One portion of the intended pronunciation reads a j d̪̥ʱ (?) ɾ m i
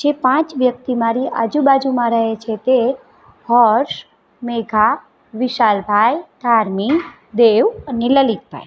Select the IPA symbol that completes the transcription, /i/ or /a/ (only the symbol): a